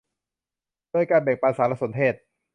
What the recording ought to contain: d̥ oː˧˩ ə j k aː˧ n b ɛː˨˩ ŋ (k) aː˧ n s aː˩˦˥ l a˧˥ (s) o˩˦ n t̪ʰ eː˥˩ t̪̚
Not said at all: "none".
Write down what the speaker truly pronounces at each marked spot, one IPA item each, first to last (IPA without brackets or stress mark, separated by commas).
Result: p, s